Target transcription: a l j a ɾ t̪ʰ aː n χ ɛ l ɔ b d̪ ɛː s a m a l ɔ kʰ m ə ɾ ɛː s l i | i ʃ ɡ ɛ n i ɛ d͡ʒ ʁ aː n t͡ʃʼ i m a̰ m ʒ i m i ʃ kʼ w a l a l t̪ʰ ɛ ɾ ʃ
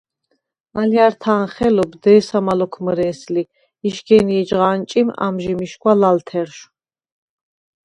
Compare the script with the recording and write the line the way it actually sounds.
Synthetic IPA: a l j a ɾ t̪ʰ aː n χ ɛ l ɔ b d̪ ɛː s a m a l ɔ kʰ m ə ɾ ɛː s l i | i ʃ ɡ ɛ n i ɛ d͡ʒ ʁ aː n t͡ʃʼ i m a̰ m ʒ i m i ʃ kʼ w a l a l t̪ʰ ɛ ɾ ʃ